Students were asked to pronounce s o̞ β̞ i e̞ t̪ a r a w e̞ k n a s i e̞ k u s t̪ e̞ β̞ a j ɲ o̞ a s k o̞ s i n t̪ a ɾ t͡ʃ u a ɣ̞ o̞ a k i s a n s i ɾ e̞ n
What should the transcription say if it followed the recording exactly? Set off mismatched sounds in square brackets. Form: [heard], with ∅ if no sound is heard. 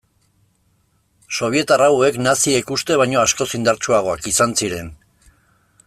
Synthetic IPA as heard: s o̞ β̞ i e̞ t̪ a r a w e̞ k n a s i e̞ k u s t̪ e̞ β̞ a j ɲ o̞ a s k o̞ s i n [d̪] a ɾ t͡ʃ u a ɣ̞ o̞ a k i s a n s i ɾ e̞ n

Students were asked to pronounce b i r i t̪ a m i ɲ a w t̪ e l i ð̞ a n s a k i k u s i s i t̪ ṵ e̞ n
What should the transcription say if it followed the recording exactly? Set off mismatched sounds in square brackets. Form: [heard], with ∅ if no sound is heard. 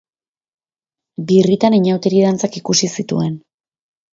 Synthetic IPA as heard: b i r i t̪ a [n] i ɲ a w t̪ e [ɾ] i ð̞ a n [t͡s] a k i k u s i s i t̪ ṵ e̞ n

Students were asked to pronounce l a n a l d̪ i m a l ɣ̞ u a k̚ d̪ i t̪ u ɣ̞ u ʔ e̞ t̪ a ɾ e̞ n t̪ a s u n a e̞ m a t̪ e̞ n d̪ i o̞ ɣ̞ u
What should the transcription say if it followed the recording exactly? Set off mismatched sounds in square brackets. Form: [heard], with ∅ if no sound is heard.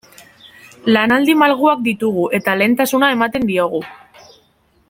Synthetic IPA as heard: l a n a l d̪ i m a l ɣ̞ u a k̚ d̪ i t̪ u ɣ̞ u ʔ e̞ t̪ a [l] e̞ n t̪ a s u n a e̞ m a t̪ e̞ n d̪ i o̞ ɣ̞ u

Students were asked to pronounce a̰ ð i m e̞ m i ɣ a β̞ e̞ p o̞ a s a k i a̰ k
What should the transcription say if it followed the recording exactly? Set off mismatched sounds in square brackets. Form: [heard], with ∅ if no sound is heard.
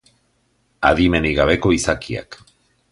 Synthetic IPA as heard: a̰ ð i m e̞ [n] i ɣ a β̞ e̞ [k] o̞ [i] s a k i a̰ k

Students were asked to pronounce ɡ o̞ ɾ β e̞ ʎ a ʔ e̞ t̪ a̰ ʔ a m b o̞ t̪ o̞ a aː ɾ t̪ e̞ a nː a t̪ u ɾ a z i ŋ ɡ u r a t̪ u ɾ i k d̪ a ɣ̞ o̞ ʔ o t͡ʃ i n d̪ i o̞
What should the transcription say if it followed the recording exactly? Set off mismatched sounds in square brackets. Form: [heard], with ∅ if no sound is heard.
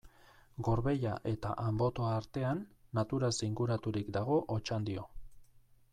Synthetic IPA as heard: ɡ o̞ ɾ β e̞ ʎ a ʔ e̞ t̪ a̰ ʔ a m b o̞ t̪ o̞ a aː ɾ t̪ e̞ a nː a t̪ u ɾ a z i ŋ ɡ u [ɾ] a t̪ u ɾ i k d̪ a ɣ̞ o̞ ʔ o t͡ʃ [a] n d̪ i o̞

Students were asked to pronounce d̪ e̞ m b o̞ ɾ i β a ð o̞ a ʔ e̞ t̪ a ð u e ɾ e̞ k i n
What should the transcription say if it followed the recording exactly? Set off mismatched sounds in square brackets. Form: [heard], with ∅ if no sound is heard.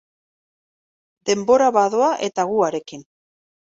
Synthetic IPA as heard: d̪ e̞ m b o̞ ɾ [a] β a ð o̞ a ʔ e̞ t̪ a [ɣ] u [a] ɾ e̞ k i n

